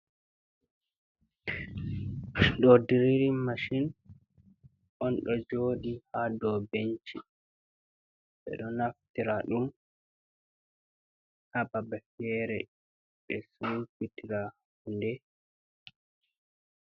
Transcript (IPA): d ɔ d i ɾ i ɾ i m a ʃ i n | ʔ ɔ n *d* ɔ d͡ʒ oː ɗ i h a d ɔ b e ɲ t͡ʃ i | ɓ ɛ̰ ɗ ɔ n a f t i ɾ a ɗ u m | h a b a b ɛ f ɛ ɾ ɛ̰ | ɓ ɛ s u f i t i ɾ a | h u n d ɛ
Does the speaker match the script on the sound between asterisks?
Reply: no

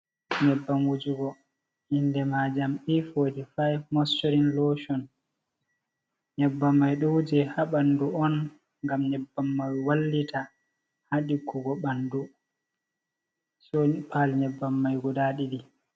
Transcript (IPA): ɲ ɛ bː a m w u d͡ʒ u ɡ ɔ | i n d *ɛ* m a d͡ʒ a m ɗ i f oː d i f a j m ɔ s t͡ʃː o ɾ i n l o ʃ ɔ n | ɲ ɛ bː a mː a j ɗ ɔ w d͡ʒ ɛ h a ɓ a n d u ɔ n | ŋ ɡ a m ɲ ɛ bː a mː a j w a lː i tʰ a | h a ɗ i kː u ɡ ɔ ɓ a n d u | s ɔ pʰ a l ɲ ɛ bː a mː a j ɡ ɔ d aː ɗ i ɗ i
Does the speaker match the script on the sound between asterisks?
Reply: yes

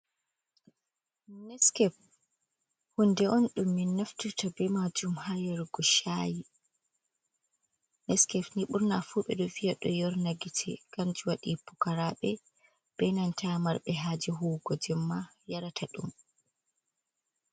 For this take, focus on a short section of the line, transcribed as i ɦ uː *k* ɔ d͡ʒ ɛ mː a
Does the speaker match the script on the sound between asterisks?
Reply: no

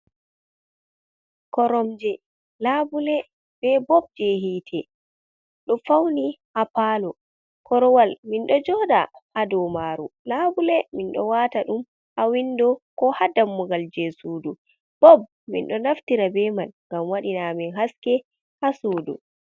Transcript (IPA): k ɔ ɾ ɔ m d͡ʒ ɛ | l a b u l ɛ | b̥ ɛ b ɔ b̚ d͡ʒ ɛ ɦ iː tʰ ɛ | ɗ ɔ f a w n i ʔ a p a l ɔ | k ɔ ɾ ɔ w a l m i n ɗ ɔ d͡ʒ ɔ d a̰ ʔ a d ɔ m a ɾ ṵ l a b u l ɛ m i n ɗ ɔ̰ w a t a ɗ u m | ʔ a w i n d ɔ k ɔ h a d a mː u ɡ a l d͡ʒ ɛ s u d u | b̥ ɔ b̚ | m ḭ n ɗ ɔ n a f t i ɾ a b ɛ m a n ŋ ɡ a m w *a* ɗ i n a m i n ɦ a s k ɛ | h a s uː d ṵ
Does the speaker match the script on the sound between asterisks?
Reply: yes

